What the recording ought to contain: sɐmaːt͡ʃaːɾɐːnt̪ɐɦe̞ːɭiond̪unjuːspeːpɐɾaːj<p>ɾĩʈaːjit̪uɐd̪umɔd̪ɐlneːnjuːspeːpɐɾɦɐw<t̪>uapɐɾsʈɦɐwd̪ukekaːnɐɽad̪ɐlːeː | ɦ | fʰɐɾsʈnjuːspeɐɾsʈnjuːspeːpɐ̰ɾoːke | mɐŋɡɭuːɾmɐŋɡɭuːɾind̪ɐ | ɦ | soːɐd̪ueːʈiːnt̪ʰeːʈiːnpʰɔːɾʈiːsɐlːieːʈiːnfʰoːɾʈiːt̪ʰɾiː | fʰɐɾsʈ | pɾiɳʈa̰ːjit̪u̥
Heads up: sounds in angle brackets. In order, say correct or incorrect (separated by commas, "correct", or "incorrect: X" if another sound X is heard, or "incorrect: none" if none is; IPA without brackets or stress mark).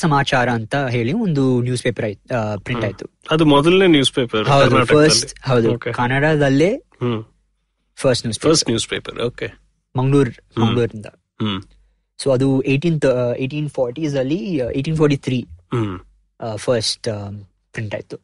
correct, incorrect: d̪